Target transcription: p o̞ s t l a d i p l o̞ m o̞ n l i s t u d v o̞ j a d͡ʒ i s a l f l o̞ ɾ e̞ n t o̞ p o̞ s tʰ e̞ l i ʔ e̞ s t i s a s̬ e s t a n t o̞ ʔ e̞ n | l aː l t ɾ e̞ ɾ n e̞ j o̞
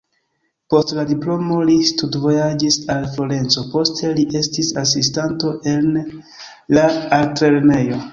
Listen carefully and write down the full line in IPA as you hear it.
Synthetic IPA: p o̞ s t l a d i p l o̞ m o̞ l i s t u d v o̞ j a d͡ʒ i s a l f l o̞ ɾ e̞ n t͡s o̞ p o̞ s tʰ e̞ l i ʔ e̞ s t i s a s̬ i s t a n t o̞ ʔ e̞ n | l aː l t ɾ e̞ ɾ n e̞ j o̞